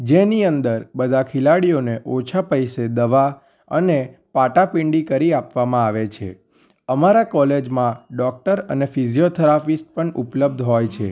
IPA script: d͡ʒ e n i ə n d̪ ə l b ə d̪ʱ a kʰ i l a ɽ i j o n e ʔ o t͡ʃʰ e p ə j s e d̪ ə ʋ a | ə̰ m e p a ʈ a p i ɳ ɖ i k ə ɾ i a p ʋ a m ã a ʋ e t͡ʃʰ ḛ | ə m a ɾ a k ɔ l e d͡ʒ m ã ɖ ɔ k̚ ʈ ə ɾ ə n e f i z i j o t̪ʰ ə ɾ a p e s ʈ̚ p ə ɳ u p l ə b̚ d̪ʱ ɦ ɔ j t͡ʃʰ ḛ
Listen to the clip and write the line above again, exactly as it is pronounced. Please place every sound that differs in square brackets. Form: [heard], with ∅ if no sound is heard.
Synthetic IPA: d͡ʒ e n i ə n d̪ ə [ɾ] b ə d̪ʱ a kʰ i l a ɽ i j o n e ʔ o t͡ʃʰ [a] p ə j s e d̪ ə ʋ a | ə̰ [n] e p a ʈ a p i ɳ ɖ i k ə ɾ i a p ʋ a m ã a ʋ e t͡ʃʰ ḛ | ə m a ɾ a k ɔ l e d͡ʒ m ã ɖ ɔ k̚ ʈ ə ɾ ə n e f i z i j o t̪ʰ ə ɾ a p [i] s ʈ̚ p ə ɳ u p l ə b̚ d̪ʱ ɦ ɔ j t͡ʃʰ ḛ